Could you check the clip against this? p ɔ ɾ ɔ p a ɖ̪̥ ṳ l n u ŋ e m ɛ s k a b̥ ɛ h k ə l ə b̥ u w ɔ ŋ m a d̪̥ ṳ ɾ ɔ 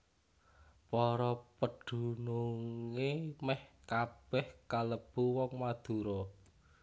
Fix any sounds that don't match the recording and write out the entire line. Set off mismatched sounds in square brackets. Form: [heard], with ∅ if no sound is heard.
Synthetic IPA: p ɔ ɾ ɔ p [ə] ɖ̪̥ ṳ [∅] n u ŋ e m ɛ [h] k a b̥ ɛ h k [a] l ə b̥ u w ɔ ŋ m a d̪̥ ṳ ɾ ɔ